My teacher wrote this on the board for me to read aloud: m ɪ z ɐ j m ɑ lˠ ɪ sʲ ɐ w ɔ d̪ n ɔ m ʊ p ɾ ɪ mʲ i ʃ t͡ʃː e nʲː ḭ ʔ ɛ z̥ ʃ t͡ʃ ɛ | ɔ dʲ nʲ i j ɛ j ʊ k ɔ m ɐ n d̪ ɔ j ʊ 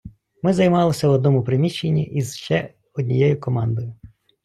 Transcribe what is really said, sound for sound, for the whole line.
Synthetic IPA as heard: m ɪ z ɐ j m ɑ lˠ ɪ sʲ ɐ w ɔ d̪ n ɔ m ʊ p ɾ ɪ mʲ i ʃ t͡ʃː e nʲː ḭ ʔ i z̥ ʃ t͡ʃ ɛ | ɔ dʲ nʲ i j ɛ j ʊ k ɔ m ɑ n d̪ ɔ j ʊ

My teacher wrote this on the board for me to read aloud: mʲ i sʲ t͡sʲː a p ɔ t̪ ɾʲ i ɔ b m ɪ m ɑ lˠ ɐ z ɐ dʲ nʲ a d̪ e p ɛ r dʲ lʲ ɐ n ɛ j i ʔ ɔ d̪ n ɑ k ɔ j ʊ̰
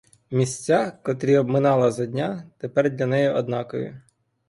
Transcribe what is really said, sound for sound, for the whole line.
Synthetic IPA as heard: mʲ i sʲ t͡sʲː a k ɔ t̪ ɾʲ i ɔ b m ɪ n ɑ lˠ ɐ z ɐ dʲ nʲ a t̪ e p ɛ r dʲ lʲ ɐ n ɛ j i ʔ ɔ d̪ n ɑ k ɔ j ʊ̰

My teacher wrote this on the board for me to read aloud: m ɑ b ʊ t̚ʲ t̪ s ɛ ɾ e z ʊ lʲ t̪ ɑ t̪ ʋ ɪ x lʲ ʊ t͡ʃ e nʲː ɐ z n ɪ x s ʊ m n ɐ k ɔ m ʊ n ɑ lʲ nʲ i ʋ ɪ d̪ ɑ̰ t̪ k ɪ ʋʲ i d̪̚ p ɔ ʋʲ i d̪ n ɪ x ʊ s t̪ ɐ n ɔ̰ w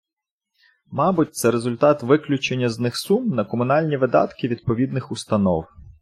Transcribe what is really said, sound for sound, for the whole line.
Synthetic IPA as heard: m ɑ b ʊ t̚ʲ t̪ s ɛ ɾ e z ʊ lʲ t̪ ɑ t̪ ʋ ɪ k lʲ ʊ t͡ʃ e nʲː ɐ z n ɪ x s u m n ɐ k ɔ m ʊ n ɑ lʲ nʲ i ʋ ɪ d̪ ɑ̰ t̪ k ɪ ʋʲ i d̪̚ p ɔ ʋʲ i d̪ n ɪ x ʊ s t̪ ɐ n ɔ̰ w

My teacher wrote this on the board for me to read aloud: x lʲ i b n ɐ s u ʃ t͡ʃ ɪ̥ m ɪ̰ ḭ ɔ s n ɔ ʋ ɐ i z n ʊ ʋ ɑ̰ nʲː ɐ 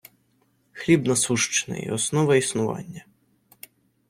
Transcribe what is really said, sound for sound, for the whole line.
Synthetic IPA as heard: x lʲ i b n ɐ s u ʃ t͡ʃ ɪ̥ n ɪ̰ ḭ ɔ s n ɔ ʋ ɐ i s n ʊ ʋ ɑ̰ nʲː ɐ

